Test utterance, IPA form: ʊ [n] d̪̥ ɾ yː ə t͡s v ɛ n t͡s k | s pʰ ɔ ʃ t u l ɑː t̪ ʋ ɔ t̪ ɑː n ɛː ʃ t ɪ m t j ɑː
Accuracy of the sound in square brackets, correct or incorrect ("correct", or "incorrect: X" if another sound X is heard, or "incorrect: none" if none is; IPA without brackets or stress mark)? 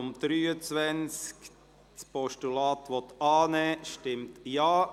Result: incorrect: m